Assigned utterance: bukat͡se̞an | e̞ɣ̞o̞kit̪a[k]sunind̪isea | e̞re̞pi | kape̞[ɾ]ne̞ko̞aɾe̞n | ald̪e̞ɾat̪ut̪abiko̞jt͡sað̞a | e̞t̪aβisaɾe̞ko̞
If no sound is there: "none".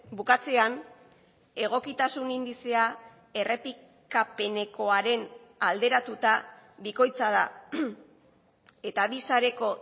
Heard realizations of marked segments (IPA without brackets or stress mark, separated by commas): none, none